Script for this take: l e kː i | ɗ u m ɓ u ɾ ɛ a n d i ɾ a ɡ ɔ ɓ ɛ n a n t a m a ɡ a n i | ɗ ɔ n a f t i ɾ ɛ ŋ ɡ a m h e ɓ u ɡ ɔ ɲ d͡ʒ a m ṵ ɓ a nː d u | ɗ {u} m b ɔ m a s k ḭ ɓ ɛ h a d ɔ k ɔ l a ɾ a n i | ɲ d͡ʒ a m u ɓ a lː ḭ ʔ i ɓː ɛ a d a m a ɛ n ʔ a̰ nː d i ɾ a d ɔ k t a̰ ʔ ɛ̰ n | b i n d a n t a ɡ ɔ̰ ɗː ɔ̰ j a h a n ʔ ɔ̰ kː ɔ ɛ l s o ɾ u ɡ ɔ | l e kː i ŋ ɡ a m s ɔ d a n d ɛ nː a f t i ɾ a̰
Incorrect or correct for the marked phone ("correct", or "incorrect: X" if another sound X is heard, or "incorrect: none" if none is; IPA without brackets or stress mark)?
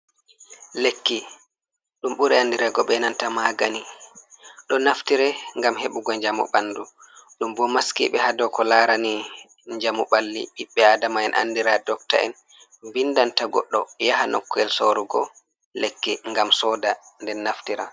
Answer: correct